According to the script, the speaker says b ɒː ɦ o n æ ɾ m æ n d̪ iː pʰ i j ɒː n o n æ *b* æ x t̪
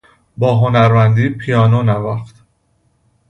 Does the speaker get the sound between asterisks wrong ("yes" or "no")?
yes